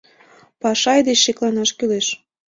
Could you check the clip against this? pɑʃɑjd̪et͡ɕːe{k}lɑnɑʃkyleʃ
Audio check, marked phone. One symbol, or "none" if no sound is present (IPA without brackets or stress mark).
k